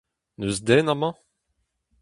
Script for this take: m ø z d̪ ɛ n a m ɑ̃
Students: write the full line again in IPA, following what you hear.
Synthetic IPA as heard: n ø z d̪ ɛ n a m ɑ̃